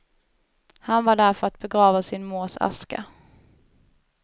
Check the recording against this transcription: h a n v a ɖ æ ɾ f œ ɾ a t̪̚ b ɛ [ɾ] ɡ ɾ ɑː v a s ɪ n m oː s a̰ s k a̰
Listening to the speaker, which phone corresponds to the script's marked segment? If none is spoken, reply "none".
none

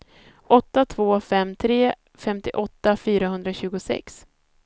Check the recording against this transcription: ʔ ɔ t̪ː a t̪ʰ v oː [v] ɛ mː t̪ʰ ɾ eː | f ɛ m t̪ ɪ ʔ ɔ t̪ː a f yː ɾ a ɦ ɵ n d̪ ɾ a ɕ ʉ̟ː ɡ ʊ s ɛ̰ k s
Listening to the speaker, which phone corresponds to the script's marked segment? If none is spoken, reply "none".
f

